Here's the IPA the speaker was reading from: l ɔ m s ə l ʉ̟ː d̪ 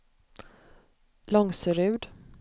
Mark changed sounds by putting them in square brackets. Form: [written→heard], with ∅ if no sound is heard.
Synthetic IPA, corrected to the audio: l ɔ [m→ŋ] s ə [l→ɾ] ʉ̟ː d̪